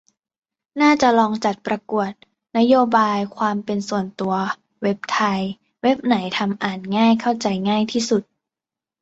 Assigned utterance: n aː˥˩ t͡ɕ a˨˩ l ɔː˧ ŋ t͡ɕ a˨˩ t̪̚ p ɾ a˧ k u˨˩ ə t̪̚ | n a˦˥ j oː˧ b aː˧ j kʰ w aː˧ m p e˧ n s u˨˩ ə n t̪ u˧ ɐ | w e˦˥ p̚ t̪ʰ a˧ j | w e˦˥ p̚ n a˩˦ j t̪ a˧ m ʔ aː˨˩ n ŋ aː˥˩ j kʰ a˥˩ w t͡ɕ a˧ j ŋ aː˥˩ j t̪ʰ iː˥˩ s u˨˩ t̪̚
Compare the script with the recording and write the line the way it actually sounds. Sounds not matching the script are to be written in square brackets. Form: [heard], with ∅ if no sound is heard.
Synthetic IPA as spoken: n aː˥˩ t͡ɕ a˨˩ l ɔː˧ ŋ t͡ɕ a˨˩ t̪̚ p ɾ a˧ k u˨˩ ə t̪̚ | n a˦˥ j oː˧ b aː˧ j kʰ w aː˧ m p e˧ n s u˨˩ ə n t̪ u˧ ɐ | w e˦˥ p̚ t̪ʰ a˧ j | w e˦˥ p̚ n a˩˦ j [t̪ʰ] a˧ m ʔ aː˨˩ n ŋ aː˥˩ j kʰ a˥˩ w t͡ɕ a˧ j ŋ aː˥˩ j t̪ʰ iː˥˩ s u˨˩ t̪̚